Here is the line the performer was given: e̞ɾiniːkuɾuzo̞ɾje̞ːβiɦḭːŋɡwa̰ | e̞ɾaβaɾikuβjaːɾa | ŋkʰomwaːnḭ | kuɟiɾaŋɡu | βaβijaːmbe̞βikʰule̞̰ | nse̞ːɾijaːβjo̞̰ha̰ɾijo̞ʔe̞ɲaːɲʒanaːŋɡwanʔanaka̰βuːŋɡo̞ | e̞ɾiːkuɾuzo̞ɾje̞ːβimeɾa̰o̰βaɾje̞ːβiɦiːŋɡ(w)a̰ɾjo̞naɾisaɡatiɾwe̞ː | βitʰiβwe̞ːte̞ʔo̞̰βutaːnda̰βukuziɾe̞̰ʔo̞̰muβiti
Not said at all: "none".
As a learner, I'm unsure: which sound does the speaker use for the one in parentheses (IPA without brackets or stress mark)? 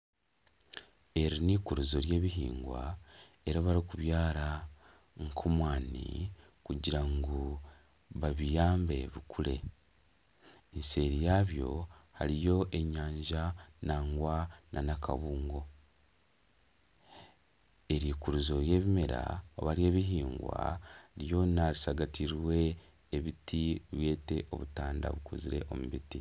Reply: w